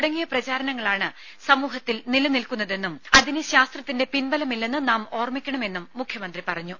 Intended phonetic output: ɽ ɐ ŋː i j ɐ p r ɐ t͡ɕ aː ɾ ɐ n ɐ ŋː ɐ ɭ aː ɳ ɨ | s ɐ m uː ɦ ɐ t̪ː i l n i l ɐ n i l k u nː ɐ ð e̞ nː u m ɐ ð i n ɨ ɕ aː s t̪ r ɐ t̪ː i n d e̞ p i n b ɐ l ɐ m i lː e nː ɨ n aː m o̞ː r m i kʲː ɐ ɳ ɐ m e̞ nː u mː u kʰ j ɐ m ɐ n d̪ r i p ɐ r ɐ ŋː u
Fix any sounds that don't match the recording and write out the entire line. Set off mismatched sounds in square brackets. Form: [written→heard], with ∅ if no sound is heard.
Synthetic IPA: ɽ ɐ ŋː i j ɐ p r ɐ t͡ɕ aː ɾ ɐ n ɐ ŋː ɐ ɭ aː ɳ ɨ | s ɐ m uː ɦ ɐ t̪ː i l n i l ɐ n i l k u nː ɐ ð e̞ nː u m ɐ ð i n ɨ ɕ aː s t̪ r ɐ t̪ː i n d e̞ p i n b ɐ l ɐ m i lː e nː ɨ n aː m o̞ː r m i kʲː ɐ ɳ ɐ m e̞ nː u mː u kʰ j ɐ m ɐ n d̪ r i p ɐ r ɐ [ŋː→ɲː] u